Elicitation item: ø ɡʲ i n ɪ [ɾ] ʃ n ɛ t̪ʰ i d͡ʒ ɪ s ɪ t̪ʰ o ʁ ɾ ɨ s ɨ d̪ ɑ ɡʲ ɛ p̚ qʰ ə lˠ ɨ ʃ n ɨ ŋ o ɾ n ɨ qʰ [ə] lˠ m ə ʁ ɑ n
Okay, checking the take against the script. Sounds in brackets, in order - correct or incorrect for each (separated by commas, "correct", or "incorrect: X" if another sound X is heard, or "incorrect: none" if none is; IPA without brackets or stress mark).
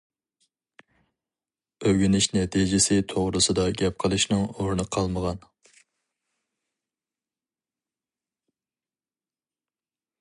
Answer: incorrect: none, incorrect: ɑ